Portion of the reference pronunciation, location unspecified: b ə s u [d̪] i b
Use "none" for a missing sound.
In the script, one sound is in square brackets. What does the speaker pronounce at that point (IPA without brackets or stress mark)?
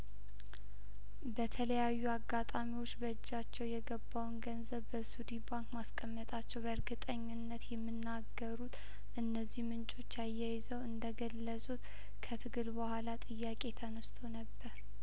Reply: d̪